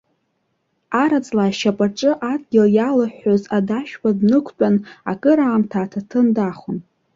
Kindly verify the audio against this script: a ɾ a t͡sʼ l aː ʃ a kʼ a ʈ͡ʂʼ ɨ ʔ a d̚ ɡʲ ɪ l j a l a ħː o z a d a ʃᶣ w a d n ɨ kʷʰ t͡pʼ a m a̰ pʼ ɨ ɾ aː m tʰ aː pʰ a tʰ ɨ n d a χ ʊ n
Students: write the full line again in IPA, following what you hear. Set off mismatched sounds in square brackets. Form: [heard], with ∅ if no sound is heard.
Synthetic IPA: a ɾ a t͡sʼ l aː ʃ a [pʼ] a ʈ͡ʂʼ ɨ ʔ a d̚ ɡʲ ɪ l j a l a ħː o z a d a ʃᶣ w a d n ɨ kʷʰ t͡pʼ a [n] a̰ [kʼ] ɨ ɾ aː m tʰ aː [tʰ] a tʰ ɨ n d a χ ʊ n